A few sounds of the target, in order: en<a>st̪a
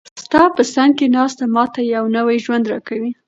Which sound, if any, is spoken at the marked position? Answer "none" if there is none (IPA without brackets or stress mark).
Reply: ɑ